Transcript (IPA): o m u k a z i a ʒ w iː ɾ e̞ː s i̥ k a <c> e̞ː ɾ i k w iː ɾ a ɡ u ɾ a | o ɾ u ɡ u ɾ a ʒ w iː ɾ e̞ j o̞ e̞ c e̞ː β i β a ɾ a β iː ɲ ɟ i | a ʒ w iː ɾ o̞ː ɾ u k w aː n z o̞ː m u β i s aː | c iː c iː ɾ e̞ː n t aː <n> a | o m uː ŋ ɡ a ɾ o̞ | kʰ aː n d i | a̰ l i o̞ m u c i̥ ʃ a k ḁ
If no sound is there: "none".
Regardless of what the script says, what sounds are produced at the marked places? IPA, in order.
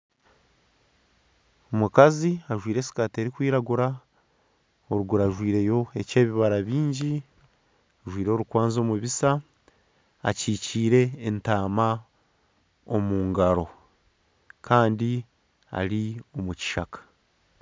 t, m

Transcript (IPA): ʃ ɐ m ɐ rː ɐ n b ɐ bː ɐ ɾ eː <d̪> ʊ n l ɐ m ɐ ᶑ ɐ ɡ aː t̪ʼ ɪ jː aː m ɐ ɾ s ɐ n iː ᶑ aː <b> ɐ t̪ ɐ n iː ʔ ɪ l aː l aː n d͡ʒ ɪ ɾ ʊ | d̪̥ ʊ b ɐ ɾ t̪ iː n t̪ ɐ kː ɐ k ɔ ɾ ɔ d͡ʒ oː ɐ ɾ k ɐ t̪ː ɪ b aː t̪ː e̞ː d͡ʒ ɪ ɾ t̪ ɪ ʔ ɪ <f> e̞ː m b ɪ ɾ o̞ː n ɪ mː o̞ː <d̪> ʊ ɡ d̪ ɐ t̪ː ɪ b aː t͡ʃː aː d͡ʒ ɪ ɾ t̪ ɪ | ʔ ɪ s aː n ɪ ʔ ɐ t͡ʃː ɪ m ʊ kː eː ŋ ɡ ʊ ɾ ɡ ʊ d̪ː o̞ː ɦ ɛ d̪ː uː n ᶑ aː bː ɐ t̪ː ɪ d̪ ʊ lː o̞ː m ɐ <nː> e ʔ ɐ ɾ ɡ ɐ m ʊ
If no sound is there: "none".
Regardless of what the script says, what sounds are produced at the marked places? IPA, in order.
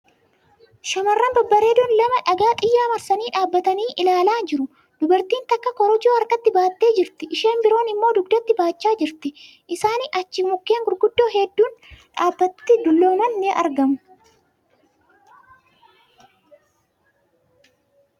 d̪, bː, ʃ, d̪, nː

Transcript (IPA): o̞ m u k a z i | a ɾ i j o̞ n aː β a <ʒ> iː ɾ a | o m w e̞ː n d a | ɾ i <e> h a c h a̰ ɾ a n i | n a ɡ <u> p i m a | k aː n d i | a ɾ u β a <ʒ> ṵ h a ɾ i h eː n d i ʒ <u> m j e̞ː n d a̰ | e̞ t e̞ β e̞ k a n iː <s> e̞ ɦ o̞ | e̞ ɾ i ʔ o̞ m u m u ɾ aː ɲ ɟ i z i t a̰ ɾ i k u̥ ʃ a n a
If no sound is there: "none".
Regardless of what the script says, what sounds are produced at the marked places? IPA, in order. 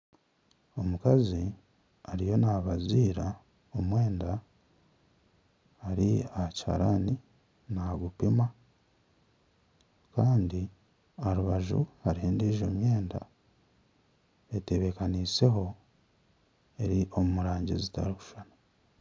z, a, u, ʒ, o, s

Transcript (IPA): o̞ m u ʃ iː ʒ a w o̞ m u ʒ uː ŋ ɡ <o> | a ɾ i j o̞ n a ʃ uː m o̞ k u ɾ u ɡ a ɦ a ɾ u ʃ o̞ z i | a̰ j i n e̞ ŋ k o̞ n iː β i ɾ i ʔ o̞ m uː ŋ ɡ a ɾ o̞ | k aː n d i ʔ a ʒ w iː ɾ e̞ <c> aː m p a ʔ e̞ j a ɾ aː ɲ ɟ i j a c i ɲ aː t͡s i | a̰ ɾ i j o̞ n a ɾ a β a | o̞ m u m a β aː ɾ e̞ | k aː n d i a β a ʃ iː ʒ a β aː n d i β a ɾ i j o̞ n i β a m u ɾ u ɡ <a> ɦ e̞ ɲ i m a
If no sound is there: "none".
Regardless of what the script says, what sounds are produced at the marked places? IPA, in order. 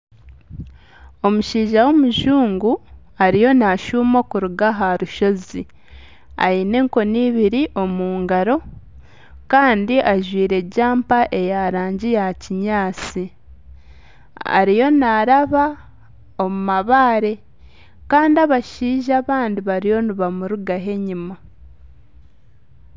u, ɟ, a

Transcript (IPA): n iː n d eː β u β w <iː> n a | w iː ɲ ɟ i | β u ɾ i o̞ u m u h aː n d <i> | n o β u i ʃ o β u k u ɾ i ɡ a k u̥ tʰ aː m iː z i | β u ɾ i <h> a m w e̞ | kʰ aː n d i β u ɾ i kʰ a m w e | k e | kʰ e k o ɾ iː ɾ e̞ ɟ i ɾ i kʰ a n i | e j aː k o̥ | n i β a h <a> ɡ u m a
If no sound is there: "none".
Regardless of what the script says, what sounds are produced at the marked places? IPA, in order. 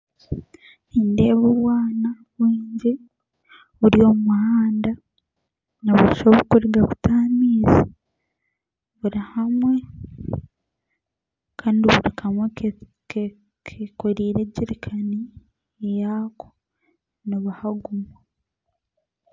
aː, a, h, a

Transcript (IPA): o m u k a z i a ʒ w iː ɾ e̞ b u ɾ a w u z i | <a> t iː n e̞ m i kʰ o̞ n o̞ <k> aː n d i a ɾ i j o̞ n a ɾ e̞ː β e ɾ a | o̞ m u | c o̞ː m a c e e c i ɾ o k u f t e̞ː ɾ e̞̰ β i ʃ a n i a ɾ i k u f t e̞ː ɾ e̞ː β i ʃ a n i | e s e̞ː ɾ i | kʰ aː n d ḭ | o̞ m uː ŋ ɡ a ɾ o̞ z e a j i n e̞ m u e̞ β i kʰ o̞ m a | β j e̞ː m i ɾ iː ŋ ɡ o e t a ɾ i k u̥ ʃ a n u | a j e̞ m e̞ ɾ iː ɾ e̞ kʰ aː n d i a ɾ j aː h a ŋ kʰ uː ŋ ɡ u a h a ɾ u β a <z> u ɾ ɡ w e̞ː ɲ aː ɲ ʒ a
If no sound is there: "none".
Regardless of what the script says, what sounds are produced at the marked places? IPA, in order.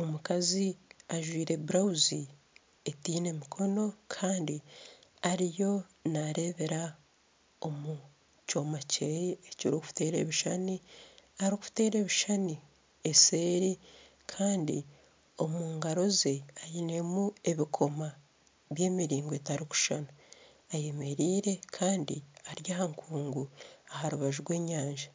e, kʰ, ʒ

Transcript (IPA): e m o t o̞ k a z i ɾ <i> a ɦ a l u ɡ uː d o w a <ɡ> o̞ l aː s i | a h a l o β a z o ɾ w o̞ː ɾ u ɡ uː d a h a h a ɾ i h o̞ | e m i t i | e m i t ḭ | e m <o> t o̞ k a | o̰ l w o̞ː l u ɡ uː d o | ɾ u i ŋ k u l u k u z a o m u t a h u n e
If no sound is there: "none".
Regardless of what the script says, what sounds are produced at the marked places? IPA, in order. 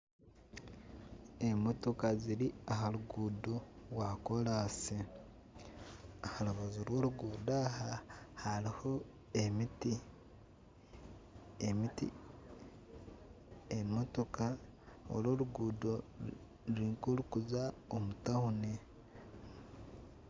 i, k, o

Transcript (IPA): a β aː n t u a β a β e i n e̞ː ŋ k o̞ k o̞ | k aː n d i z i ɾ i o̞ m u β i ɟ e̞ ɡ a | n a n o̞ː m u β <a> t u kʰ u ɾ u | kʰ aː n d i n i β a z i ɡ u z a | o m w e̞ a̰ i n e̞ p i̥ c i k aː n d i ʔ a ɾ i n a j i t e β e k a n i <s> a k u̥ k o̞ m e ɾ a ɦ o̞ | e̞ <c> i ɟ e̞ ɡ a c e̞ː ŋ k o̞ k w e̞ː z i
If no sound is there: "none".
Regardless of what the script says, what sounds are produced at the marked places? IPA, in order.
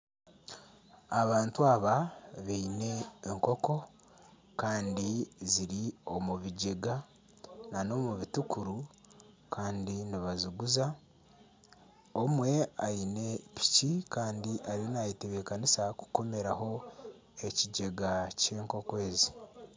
i, s, c

